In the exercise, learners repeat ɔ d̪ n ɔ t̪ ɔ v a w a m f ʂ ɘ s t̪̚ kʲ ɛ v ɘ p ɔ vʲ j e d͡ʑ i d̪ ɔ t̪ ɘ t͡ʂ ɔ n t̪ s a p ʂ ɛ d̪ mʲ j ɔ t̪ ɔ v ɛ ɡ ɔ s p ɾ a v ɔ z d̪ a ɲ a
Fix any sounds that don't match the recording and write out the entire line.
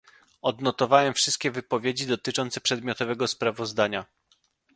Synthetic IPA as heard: ɔ d̪ n ɔ t̪ ɔ v a w ɛ m f ʂ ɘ s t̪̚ kʲ ɛ v ɘ p ɔ vʲ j e d͡ʑ i d̪ ɔ t̪ ɘ t͡ʂ ɔ n t̪ s ɛ p ʂ ɛ d̪ mʲ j ɔ t̪ ɔ v ɛ ɡ ɔ s p ɾ a v ɔ z d̪ a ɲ a